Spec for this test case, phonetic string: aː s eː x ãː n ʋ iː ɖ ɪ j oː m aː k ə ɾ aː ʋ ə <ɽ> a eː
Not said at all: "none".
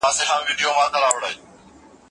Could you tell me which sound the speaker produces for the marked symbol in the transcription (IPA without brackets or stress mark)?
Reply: ɽ